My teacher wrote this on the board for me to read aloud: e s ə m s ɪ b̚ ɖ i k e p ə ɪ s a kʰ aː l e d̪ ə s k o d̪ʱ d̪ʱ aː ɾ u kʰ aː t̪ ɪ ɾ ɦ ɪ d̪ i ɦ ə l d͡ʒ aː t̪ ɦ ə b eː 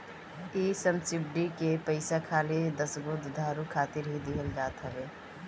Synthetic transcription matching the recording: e s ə m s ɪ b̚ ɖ i k e p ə ɪ s a kʰ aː l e d̪ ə s ɡ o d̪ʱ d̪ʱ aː ɾ u kʰ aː t̪ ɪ ɾ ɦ i d̪ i ɦ ə l d͡ʒ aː t̪ ɦ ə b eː